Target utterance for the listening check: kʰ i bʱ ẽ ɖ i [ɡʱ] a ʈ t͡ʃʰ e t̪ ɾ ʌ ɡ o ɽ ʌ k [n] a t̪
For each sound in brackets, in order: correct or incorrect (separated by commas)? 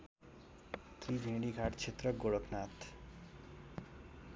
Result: correct, correct